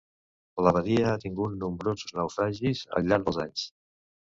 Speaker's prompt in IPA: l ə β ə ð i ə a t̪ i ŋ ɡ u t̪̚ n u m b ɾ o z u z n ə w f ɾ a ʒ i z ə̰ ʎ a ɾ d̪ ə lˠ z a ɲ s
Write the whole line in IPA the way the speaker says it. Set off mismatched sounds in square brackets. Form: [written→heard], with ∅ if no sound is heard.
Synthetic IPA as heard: l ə β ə ð i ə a t̪ i ŋ ɡ u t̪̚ n u m b ɾ o z u z n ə w f ɾ a ʒ i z ə̰ ʎ a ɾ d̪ ə lˠ z a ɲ s